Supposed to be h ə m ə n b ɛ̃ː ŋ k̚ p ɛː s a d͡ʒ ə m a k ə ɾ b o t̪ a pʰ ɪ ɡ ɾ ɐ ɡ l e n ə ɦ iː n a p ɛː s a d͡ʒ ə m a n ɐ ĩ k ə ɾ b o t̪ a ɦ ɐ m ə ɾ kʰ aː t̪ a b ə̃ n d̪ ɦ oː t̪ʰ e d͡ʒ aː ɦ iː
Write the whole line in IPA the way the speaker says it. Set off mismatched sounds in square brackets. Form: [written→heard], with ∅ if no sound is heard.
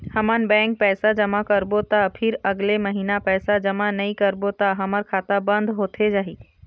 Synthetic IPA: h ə m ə n b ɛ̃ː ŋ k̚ p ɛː s a d͡ʒ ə m a k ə ɾ b o t̪ a pʰ ɪ [ɡ→∅] ɾ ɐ ɡ l e [n→m] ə ɦ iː n a p ɛː s a d͡ʒ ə m a n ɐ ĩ k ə ɾ b o t̪ a ɦ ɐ m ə ɾ kʰ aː t̪ a b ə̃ n d̪ ɦ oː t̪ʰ e d͡ʒ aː ɦ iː

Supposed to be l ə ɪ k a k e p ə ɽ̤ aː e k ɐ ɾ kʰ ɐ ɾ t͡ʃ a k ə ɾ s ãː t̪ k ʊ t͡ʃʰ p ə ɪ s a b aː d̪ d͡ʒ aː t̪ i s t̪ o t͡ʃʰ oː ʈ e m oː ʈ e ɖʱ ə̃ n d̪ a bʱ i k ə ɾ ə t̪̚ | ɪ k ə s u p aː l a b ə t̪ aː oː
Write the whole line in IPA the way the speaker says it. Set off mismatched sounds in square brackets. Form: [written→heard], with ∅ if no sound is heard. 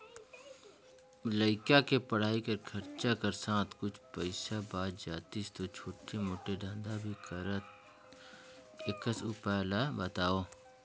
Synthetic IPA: l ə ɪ k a k e p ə ɽ̤ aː [e→i] k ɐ ɾ kʰ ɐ ɾ t͡ʃ a k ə ɾ s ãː t̪ k ʊ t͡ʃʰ p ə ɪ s a b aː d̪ d͡ʒ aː t̪ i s t̪ o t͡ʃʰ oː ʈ e m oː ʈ e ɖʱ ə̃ n d̪ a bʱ i k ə ɾ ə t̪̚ | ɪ k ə s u p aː l a b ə t̪ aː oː

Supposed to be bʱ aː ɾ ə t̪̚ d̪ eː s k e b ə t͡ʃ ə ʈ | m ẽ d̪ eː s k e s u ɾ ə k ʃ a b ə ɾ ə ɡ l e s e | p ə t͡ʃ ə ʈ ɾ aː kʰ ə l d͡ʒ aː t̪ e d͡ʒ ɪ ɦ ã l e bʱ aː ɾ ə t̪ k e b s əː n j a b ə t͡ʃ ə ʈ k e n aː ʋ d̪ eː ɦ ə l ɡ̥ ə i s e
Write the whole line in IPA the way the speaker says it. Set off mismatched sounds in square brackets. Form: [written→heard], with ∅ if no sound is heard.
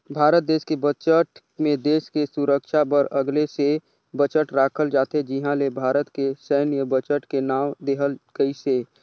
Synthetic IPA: bʱ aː ɾ ə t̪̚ d̪ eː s k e b ə t͡ʃ ə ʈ | m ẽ d̪ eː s k e s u ɾ ə k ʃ a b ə ɾ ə ɡ l e s e | [p→b] ə t͡ʃ ə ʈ ɾ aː kʰ ə l d͡ʒ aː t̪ e d͡ʒ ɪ ɦ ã l e bʱ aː ɾ ə t̪ k e [b→∅] s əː n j [a→ə] b ə t͡ʃ ə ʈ k e n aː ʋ d̪ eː ɦ ə l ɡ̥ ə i s e

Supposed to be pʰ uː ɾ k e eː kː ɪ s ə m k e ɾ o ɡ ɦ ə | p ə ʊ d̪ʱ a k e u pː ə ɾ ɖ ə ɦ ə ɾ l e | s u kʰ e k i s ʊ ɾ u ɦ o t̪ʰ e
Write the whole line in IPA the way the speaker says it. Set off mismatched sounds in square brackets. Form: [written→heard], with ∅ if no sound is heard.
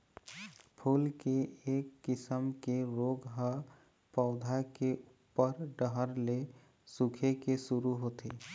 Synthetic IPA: pʰ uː [ɾ→l] k e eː kː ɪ s ə m k e ɾ o ɡ ɦ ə | p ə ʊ d̪ʱ a k e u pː ə ɾ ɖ ə ɦ ə ɾ l e | s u kʰ e k [i→e] s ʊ ɾ u ɦ o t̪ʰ e

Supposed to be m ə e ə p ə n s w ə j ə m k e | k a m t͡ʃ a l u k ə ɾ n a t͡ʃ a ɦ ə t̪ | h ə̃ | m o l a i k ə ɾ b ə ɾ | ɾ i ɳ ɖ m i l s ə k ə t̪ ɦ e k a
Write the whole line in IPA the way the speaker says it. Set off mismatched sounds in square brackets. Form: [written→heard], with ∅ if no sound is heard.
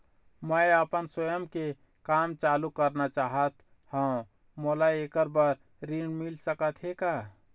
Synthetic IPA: m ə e ə p ə n s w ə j ə m k e | k a m t͡ʃ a l u k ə ɾ n a t͡ʃ a ɦ ə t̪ | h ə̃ | m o l a [i→e] k ə ɾ b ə ɾ | ɾ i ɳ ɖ m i l s ə k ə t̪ ɦ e k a

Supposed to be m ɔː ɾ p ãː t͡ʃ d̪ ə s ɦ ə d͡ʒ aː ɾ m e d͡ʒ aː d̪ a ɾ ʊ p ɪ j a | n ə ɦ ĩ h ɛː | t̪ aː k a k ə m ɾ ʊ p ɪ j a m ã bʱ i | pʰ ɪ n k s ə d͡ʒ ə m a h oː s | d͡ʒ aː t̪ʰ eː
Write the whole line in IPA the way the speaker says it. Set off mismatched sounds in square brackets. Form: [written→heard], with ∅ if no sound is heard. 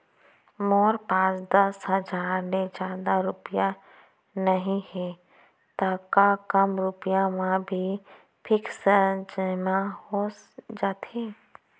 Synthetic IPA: m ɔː ɾ p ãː t͡ʃ d̪ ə s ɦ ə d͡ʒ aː ɾ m e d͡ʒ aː d̪ a ɾ ʊ p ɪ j a | n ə ɦ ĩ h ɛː | t̪ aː k a k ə m ɾ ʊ p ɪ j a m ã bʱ i | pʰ ɪ [n→∅] k s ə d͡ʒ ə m a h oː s | d͡ʒ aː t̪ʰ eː

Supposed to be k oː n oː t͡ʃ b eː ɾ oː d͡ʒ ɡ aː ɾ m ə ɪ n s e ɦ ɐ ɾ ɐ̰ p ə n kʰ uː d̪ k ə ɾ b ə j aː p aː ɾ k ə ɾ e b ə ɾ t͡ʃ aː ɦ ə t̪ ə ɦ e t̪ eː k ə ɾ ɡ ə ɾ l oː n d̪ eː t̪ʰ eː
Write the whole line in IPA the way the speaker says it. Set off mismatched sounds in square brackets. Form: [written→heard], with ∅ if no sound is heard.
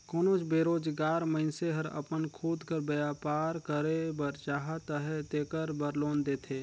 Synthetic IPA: k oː n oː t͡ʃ b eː ɾ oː d͡ʒ ɡ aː ɾ m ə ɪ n s e ɦ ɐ ɾ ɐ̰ p ə n kʰ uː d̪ k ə ɾ b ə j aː p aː ɾ k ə ɾ e b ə ɾ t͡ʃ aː ɦ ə t̪ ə ɦ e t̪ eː k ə ɾ [ɡ→b] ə ɾ l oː n d̪ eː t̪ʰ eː

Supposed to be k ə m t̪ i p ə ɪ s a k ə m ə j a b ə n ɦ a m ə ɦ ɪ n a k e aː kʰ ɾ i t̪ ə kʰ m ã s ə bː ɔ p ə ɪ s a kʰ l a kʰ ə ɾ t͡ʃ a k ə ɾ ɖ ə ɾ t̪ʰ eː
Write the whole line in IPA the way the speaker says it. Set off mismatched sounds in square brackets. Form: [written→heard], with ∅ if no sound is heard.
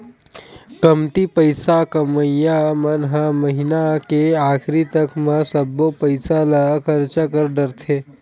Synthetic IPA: k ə m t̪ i p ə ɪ s a k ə m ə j a [b→m] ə n ɦ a m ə ɦ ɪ n a k e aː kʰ ɾ i t̪ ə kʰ m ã s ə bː [ɔ→o] p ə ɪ s a [kʰ→∅] l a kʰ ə ɾ t͡ʃ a k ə ɾ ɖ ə ɾ t̪ʰ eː

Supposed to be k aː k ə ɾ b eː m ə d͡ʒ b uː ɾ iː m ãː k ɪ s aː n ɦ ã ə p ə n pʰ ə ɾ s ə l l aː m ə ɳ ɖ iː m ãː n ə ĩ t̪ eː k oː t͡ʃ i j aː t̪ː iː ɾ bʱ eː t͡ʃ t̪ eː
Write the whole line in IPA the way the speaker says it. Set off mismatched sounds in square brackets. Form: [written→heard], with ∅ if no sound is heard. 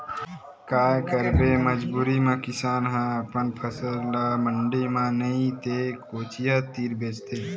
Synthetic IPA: k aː k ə ɾ b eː m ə d͡ʒ b uː ɾ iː m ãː k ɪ s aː n ɦ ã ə p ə n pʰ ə [ɾ→∅] s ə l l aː m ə ɳ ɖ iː m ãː n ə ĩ t̪ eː k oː t͡ʃ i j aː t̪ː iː ɾ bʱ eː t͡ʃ t̪ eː

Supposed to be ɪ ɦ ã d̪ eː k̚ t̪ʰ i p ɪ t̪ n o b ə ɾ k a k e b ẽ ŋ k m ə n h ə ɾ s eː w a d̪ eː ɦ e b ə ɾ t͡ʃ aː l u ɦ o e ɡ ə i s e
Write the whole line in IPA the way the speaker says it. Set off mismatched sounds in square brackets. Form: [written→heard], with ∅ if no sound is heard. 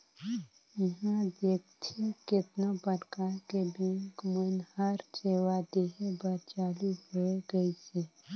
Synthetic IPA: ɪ ɦ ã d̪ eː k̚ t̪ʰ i [p→k] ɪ t̪ n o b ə ɾ k a k e b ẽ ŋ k m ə n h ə ɾ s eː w a d̪ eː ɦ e b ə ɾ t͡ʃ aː l u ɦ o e ɡ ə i s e

